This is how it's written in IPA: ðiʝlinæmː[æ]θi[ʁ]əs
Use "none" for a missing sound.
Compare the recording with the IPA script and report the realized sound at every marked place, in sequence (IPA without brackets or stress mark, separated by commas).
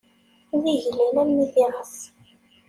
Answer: i, ʁ